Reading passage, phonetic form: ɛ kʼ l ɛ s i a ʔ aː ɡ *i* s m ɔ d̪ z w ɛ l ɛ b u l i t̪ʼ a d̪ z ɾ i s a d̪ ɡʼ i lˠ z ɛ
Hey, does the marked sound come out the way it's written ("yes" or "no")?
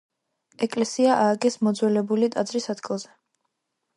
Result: no